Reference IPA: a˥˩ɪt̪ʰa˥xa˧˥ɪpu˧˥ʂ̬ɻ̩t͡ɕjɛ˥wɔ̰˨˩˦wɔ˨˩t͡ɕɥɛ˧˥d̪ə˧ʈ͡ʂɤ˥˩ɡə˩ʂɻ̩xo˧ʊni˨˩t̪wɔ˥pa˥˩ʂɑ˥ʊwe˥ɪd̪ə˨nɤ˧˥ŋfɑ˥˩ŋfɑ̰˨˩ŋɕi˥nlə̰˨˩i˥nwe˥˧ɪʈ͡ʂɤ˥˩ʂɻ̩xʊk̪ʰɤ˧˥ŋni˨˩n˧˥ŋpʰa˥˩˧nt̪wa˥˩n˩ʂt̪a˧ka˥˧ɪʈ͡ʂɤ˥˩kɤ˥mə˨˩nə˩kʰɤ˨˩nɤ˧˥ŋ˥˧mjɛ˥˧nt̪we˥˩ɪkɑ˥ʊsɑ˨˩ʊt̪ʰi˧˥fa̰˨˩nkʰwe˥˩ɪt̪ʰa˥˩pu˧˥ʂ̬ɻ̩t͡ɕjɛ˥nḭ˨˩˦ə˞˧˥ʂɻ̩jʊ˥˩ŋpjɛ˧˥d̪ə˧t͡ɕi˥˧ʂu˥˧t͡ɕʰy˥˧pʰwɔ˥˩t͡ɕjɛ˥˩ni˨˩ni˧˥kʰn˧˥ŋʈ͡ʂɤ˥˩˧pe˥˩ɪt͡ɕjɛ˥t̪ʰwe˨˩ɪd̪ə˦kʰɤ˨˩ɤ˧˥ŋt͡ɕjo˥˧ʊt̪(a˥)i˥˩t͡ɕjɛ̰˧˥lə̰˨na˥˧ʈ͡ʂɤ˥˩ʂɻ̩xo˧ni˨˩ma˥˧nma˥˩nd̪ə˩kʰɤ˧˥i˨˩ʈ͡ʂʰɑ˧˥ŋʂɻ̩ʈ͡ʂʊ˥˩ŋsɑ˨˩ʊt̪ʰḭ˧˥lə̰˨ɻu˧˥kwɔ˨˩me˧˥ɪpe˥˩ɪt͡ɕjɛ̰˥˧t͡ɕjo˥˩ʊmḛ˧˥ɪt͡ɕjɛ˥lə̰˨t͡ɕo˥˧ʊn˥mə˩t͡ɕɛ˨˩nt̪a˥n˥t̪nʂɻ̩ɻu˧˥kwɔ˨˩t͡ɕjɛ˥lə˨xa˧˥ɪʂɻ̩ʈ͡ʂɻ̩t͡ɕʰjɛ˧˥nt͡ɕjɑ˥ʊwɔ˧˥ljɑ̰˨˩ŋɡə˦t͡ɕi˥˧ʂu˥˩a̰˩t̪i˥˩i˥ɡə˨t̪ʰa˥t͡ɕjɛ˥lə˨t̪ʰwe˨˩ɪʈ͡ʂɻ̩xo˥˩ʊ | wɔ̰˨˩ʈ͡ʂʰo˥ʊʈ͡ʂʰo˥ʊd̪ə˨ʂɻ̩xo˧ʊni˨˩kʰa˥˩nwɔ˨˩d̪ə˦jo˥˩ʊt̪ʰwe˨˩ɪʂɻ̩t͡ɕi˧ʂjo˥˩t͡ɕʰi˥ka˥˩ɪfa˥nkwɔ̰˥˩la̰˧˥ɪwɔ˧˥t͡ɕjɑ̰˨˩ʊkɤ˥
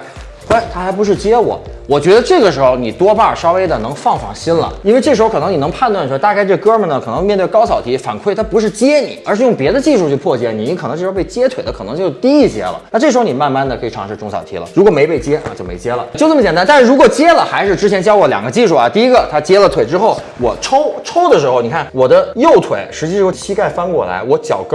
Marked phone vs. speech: incorrect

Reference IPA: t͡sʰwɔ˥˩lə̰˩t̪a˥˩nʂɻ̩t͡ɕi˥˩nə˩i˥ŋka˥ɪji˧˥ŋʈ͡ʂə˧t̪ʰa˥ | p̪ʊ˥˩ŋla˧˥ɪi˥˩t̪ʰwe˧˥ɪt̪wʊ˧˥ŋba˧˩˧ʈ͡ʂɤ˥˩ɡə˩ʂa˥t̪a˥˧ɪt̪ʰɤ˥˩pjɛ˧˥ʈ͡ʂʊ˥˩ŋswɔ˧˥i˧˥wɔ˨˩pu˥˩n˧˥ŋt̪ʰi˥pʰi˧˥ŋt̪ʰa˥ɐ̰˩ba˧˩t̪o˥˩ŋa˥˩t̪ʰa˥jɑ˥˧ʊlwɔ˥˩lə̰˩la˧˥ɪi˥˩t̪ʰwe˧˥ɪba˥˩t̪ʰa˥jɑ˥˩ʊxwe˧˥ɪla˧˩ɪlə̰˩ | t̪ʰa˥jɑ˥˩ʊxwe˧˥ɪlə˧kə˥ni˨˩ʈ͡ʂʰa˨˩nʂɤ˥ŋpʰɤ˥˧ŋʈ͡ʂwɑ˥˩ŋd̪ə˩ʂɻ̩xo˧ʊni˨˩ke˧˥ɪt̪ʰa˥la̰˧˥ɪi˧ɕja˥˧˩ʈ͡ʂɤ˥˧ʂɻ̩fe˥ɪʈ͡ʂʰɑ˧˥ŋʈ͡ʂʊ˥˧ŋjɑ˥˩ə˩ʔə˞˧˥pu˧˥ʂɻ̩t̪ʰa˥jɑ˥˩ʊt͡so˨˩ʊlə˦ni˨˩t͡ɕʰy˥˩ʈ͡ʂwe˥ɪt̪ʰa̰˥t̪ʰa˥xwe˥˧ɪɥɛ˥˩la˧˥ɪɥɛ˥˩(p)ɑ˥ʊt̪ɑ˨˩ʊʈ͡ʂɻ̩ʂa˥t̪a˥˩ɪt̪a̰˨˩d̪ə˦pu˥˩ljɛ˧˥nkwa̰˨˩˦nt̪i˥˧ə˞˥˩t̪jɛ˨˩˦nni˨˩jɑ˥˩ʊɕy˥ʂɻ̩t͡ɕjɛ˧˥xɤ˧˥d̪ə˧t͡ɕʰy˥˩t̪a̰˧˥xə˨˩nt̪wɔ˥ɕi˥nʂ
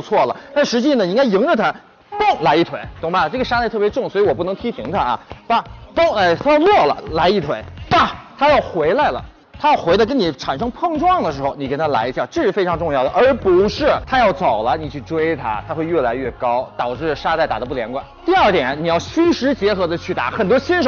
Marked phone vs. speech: incorrect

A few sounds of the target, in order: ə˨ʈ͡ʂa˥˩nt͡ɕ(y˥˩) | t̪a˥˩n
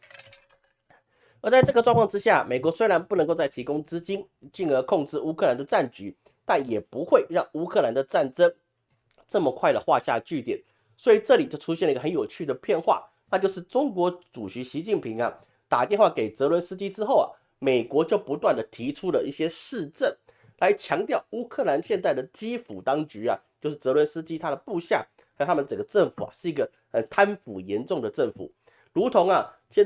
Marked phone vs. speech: incorrect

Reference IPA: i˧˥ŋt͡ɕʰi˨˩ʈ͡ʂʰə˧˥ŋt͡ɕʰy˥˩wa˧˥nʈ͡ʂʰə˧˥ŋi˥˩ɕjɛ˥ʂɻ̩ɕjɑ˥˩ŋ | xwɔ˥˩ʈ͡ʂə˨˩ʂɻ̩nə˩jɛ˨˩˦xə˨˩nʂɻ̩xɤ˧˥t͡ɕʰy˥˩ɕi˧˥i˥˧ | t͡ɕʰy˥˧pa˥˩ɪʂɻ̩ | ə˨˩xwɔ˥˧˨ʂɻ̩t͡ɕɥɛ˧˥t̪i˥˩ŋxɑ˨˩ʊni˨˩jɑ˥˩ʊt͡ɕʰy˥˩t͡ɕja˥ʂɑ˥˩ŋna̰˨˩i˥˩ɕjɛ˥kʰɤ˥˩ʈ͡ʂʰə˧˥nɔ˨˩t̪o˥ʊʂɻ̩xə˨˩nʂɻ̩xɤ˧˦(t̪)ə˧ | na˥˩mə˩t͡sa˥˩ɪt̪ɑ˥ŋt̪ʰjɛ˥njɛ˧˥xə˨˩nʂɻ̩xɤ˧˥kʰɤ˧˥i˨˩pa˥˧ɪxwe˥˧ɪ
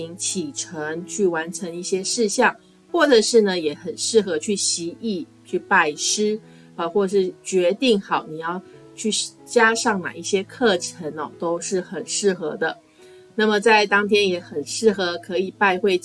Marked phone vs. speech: incorrect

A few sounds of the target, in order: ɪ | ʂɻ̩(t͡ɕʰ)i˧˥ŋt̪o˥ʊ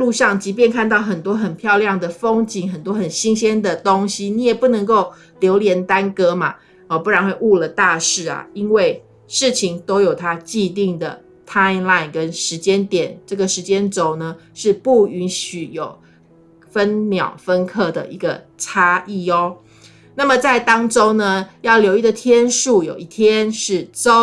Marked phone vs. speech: correct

